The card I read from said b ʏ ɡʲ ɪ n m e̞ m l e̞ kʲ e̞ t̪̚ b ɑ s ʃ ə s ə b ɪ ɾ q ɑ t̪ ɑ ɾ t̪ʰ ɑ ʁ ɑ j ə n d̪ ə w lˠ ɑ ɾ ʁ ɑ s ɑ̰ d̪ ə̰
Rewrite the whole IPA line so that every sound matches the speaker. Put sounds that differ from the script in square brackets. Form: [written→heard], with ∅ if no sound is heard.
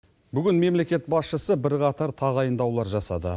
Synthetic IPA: b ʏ ɡʲ ɪ n m e̞ m l e̞ kʲ e̞ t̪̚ b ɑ s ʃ ə s ə b ɪ ɾ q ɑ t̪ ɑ ɾ t̪ʰ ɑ ʁ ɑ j ə n d̪ [ə→ɑ] w lˠ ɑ ɾ [ʁ→ʒ] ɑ s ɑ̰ d̪ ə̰